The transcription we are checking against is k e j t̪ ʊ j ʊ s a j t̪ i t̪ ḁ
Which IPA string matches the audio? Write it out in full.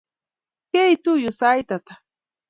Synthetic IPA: k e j t̪ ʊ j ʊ s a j t̪ a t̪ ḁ